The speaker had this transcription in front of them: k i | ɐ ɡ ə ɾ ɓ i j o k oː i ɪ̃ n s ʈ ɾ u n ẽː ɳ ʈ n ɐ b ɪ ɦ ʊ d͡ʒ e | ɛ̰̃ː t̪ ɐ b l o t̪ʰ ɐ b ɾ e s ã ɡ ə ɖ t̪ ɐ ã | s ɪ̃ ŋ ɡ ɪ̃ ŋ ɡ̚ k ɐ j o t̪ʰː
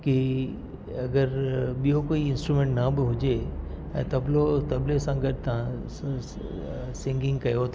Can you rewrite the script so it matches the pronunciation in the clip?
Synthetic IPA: k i | ɐ ɡ ə ɾ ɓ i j o k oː i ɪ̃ n s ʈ ɾ u m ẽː ɳ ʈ n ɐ b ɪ ɦ ʊ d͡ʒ e | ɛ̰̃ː t̪ ɐ b l o t̪ ɐ b l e s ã ɡ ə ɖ t̪ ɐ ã | s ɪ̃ ŋ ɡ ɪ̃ ŋ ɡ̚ k ɐ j o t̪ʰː